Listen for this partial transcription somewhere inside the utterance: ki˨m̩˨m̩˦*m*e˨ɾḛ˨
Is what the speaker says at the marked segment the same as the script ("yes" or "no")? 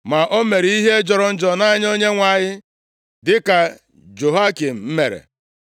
yes